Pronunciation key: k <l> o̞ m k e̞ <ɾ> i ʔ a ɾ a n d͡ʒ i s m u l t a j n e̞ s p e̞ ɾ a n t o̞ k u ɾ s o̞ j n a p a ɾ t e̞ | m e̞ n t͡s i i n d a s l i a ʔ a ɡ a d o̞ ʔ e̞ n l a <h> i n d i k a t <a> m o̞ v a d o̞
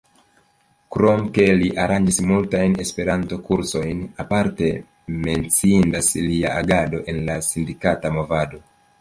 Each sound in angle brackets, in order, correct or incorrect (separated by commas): incorrect, incorrect, incorrect, correct